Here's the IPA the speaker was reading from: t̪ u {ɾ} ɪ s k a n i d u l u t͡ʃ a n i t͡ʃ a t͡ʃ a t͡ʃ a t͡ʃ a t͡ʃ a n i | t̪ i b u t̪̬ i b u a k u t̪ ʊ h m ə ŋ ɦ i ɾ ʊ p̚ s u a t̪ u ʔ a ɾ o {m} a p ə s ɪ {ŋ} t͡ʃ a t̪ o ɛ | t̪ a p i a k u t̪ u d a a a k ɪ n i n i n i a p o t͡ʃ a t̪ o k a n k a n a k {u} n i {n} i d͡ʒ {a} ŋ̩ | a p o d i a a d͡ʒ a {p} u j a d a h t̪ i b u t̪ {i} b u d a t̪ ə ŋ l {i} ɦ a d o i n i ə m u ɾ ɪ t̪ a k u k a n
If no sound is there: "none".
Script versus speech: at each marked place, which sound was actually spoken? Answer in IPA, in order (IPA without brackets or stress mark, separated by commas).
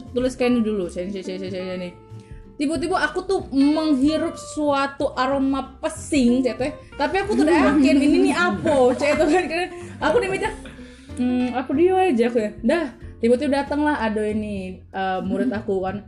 l, m, ŋ, u, m, a, k, i, a